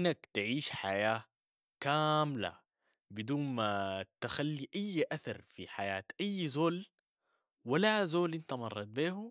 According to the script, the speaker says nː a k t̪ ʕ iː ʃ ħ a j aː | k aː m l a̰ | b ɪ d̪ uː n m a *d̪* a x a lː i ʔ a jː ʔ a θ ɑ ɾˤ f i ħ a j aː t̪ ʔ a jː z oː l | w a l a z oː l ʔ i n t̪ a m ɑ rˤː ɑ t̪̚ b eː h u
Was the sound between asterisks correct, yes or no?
no